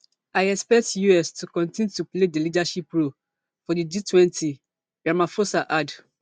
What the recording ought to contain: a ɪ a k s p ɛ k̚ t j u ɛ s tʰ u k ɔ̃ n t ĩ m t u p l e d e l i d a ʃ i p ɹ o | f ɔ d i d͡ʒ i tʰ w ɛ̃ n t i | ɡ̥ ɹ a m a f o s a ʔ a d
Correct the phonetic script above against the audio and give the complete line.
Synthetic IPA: a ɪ ɛ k s p ɛ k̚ t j u ɛ s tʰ u k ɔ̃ n t ĩ n t u p l e d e l i d a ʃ i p ɹ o | f ɔ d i d͡ʒ i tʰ w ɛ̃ n t i | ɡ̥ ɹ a m a f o s a ʔ a d